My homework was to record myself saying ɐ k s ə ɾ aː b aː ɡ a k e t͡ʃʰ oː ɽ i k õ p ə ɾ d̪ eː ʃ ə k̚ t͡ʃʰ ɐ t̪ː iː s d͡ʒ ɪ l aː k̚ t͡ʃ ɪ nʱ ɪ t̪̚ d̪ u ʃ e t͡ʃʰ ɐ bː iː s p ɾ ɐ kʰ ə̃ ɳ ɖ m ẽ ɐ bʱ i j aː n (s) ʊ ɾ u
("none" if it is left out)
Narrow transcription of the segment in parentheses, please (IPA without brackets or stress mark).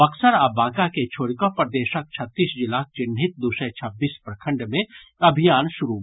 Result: ʃ